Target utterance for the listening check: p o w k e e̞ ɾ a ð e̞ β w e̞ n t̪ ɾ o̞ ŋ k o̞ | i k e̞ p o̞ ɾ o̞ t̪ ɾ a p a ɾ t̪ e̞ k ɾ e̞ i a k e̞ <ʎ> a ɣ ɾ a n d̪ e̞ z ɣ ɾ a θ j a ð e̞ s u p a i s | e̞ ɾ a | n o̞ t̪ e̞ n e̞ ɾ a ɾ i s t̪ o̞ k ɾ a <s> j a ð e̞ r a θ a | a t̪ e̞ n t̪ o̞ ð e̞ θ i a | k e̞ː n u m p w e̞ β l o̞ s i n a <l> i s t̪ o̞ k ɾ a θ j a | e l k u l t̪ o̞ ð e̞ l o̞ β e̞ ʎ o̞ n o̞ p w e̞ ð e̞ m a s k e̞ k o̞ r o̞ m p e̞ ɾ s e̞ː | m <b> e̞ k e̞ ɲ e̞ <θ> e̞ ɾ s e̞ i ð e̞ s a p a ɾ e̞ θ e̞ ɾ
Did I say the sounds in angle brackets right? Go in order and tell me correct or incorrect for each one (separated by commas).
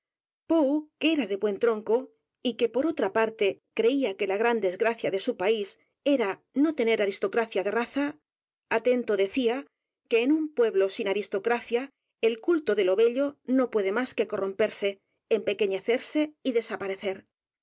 incorrect, incorrect, incorrect, incorrect, correct